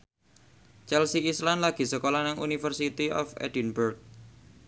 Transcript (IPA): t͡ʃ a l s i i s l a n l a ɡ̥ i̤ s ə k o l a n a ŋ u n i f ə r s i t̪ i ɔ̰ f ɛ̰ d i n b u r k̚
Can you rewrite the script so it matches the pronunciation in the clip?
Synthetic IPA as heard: t͡ʃ ɛ l s i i s l a n l a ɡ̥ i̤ s ə k o l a n a ŋ u n i f ə r s i t̪ i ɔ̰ f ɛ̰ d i n b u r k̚